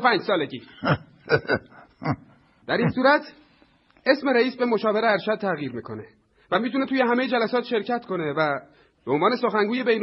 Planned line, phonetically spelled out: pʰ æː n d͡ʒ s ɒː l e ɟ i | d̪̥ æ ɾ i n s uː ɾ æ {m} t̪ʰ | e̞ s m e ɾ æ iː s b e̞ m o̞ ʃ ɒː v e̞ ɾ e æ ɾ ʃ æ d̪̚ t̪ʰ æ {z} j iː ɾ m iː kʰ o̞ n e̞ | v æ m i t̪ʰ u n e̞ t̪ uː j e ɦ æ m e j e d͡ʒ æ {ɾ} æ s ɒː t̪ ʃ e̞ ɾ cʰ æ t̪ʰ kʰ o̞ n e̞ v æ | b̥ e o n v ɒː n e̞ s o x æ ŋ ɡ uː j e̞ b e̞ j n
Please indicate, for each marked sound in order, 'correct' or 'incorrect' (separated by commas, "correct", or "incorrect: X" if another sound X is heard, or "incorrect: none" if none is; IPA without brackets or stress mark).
incorrect: none, incorrect: ɣ, incorrect: l